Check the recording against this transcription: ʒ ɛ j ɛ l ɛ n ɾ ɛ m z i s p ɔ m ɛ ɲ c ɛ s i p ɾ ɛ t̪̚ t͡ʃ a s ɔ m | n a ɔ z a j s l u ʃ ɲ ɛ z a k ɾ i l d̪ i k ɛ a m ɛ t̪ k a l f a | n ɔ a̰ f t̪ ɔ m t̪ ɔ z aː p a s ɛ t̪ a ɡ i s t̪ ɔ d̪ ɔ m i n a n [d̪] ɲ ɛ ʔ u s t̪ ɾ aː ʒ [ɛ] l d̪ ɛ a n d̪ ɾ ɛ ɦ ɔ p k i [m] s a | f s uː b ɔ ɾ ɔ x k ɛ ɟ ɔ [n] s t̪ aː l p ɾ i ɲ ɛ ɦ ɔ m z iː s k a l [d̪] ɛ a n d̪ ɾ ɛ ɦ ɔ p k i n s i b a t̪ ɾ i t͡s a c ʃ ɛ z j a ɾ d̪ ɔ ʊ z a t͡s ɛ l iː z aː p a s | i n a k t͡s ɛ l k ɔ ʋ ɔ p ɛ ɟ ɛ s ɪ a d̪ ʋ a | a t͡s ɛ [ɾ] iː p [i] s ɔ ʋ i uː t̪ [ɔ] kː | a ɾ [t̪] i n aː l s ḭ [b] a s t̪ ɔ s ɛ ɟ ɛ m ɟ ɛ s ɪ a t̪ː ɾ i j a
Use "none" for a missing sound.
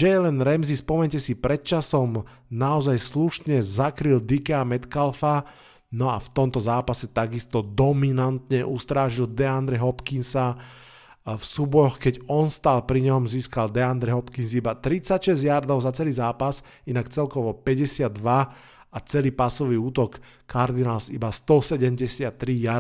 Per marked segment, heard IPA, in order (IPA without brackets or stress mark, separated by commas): t̪, i, n, n, d̪, l, a, ɔ, d̪, b